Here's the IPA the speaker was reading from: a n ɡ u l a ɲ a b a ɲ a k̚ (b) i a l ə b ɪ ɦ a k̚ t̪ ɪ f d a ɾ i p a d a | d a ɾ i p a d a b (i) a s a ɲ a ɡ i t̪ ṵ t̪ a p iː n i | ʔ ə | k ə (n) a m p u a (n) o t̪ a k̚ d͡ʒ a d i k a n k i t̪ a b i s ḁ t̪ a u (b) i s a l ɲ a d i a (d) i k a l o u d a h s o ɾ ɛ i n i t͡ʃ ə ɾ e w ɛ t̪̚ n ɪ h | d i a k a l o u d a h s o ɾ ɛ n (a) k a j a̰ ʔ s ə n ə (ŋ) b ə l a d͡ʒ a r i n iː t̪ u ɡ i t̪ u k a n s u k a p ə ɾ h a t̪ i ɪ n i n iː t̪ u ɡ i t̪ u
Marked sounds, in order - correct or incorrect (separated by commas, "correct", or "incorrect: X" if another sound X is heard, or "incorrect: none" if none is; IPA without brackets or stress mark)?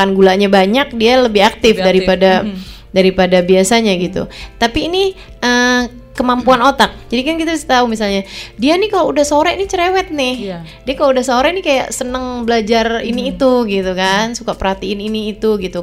incorrect: d, correct, incorrect: m, correct, incorrect: m, incorrect: n, incorrect: i, correct